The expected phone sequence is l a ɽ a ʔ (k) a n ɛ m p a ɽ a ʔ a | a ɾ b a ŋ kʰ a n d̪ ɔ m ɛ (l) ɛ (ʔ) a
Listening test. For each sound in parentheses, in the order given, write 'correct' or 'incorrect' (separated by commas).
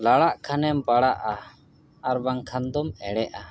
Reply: incorrect, incorrect, correct